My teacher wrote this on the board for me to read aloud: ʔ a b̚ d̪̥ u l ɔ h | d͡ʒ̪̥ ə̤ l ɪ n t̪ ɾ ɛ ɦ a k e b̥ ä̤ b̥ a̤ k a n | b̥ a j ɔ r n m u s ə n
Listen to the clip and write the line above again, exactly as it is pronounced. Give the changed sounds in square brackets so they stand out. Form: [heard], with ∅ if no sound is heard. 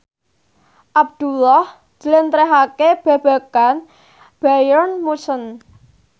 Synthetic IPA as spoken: ʔ a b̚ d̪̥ u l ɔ h | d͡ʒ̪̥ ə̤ l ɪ n t̪ ɾ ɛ ɦ a k e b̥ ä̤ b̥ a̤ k a n | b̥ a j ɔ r n m u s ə n